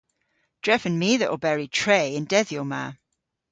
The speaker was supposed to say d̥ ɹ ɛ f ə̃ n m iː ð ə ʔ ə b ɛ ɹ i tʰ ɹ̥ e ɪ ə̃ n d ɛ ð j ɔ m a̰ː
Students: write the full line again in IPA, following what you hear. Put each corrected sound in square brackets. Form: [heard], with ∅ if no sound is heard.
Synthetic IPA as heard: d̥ ɹ ɛ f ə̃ n m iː ð ə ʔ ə b ɛ ɹ i tʰ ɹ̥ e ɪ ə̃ n d ɛ ð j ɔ m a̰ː